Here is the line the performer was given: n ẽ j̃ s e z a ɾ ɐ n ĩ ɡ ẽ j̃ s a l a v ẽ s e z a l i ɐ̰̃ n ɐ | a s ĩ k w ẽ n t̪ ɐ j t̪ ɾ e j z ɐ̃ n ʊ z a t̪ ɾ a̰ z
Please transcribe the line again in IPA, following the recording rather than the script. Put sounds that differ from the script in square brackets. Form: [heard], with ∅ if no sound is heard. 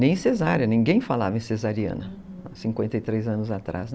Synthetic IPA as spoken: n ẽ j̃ s e z a ɾ ɐ n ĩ ɡ ẽ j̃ [f] a l a v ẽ s e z a [ɾ] i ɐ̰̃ n ɐ | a s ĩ k w ẽ n t̪ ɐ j t̪ ɾ e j z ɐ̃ n ʊ z a t̪ ɾ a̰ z